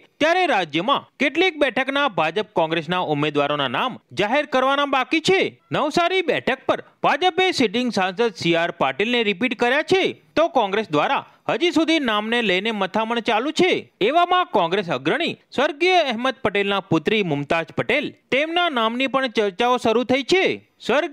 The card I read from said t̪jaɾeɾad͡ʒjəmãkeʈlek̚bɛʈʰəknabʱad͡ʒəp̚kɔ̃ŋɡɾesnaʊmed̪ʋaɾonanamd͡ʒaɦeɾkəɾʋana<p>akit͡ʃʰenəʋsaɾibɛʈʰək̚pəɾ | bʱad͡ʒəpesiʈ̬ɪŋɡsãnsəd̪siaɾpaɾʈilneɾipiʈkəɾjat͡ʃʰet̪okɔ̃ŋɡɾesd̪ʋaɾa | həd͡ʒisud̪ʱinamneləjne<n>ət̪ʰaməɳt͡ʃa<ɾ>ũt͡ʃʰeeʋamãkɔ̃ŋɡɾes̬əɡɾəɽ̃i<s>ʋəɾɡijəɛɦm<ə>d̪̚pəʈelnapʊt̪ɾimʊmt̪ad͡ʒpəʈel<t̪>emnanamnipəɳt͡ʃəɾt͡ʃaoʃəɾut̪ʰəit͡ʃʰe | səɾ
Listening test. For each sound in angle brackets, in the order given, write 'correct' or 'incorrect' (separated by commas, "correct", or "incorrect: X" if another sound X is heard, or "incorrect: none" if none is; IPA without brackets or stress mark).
incorrect: b, incorrect: m, incorrect: l, correct, correct, correct